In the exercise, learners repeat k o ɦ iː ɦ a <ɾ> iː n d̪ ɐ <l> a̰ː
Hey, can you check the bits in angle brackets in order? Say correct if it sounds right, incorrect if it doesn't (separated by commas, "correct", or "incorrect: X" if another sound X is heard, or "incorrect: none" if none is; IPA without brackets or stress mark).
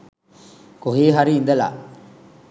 correct, correct